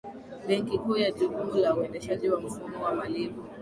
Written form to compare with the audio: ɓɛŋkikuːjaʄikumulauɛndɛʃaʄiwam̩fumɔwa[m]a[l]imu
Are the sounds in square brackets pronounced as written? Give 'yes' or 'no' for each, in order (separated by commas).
yes, yes